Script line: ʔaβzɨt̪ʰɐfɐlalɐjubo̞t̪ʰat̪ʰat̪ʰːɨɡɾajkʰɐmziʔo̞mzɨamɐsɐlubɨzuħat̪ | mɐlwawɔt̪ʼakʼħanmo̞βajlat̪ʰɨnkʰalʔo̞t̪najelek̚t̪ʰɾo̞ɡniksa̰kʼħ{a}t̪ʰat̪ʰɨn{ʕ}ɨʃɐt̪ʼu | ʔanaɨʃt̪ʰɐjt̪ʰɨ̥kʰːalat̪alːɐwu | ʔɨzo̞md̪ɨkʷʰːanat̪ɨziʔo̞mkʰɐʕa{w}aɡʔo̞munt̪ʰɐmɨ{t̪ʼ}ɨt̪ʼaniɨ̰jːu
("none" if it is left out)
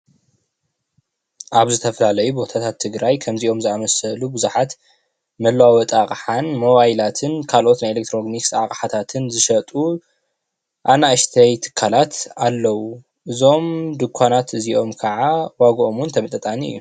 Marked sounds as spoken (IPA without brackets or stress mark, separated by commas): a, z, w, t̪ʼ